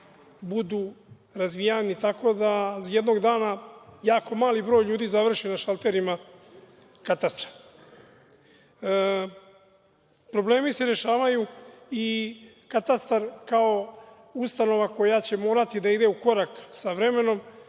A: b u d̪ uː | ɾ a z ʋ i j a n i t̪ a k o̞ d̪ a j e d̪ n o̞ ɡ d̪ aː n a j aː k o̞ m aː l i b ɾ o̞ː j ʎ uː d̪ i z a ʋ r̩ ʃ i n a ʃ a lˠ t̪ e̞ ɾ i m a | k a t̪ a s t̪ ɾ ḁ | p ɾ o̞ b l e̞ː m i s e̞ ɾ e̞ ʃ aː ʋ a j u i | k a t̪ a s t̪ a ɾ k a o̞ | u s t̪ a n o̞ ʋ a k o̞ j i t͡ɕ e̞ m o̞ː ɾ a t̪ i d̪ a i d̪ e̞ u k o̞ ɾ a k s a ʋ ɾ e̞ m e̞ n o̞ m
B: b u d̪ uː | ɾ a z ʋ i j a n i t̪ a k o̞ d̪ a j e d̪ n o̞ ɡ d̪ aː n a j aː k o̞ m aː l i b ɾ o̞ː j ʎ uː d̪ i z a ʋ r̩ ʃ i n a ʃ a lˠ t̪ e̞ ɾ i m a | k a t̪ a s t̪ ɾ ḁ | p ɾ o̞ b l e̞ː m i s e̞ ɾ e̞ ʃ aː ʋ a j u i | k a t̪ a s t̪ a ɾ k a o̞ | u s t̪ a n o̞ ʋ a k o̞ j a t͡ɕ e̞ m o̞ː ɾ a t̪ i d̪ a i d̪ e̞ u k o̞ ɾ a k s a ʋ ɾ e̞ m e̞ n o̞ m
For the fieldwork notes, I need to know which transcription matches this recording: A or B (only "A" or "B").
B